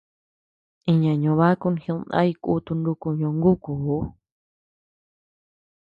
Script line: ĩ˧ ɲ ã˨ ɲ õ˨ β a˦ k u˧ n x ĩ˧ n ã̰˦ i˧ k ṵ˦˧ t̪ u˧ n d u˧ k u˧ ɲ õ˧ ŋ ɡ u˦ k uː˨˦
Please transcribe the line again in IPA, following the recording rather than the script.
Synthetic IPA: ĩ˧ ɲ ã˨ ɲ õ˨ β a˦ k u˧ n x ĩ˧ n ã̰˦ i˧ k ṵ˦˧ t̪ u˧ n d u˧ k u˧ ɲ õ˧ ŋ ɡ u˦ k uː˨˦